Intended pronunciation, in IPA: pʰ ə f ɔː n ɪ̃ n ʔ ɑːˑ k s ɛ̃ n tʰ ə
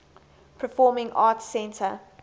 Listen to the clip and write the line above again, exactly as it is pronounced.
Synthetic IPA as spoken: pʰ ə f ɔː m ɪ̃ ŋ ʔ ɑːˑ t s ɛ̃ n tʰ ə